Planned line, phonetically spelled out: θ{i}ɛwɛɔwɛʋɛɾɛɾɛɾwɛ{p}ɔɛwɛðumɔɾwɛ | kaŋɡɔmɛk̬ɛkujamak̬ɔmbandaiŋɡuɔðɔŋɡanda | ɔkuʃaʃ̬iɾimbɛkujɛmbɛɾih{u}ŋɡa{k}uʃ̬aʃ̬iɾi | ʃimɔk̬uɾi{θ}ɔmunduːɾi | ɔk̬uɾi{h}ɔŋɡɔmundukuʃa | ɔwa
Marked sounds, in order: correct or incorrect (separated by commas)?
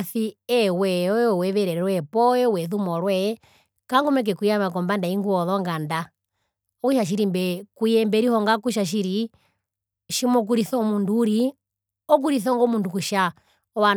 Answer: correct, correct, incorrect, correct, correct, incorrect